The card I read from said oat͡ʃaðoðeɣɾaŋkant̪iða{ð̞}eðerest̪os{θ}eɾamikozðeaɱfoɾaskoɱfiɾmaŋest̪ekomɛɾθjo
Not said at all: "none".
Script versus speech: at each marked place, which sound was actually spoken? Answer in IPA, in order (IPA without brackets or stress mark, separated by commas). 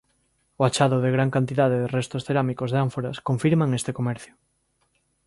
ð̞, θ